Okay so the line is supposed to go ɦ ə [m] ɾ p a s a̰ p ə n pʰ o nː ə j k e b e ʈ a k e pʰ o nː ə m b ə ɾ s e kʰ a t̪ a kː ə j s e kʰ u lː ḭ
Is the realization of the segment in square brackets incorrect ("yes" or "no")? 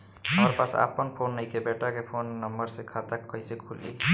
no